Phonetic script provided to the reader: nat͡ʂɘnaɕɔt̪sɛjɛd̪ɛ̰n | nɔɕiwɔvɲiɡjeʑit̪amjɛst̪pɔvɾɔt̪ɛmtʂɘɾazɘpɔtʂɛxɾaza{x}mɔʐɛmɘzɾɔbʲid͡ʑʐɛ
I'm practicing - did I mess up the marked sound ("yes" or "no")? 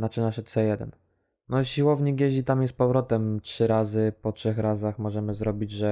no